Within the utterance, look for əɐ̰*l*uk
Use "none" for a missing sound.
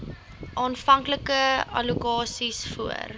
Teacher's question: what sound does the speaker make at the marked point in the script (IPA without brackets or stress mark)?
l